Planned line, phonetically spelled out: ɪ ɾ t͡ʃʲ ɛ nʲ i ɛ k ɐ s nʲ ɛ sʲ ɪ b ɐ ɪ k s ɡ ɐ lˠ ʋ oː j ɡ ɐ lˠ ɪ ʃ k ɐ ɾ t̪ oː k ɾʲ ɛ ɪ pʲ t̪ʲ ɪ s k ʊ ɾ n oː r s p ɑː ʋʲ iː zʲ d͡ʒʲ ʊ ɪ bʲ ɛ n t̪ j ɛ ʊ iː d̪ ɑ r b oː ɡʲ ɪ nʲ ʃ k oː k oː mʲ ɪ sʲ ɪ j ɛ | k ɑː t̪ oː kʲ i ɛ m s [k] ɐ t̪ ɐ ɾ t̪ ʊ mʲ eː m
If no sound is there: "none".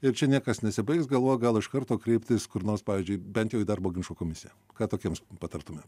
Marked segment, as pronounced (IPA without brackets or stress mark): p